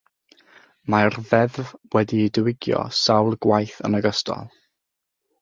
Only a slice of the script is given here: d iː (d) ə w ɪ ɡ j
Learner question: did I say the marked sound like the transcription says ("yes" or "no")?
yes